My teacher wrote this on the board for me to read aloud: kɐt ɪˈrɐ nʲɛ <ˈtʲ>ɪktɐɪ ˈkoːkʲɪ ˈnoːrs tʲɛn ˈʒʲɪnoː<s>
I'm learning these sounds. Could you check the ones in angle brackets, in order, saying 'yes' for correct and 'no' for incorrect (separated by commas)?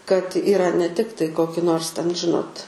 yes, no